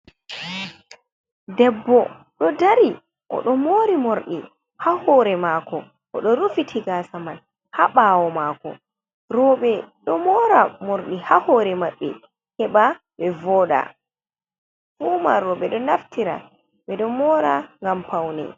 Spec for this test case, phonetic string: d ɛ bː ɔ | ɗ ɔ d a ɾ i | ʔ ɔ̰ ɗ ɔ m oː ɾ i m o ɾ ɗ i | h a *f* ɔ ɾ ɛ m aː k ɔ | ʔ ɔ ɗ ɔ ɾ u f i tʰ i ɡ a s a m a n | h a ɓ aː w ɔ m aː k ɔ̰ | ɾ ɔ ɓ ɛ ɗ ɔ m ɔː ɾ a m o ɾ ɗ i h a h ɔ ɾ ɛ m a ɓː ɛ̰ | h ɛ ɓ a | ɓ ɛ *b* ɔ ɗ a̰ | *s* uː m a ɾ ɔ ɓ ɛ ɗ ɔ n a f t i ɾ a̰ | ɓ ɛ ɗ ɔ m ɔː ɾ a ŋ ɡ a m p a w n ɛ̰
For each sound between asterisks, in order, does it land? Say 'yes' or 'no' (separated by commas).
no, no, no